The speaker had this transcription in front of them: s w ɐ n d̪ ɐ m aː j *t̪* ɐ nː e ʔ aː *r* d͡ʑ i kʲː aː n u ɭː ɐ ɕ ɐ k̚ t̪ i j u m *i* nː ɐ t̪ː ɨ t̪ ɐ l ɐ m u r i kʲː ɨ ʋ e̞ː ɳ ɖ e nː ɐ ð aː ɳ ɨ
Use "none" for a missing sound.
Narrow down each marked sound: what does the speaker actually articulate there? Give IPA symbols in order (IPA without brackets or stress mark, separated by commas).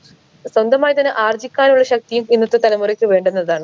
t̪, r, i